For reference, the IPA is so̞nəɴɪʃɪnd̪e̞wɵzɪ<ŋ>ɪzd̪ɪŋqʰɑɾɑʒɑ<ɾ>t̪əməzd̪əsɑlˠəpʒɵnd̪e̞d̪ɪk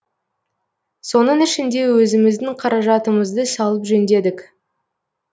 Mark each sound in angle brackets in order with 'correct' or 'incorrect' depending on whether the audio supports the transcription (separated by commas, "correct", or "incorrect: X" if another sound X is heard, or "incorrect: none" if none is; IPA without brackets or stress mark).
incorrect: m, incorrect: none